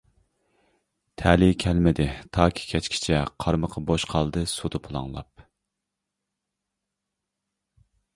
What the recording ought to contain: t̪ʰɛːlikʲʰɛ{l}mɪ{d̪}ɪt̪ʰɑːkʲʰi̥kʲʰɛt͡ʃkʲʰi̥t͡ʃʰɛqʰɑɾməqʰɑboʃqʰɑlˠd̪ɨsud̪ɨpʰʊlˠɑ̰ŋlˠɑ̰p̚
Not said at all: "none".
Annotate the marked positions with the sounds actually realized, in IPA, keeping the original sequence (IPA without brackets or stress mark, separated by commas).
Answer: l, d̪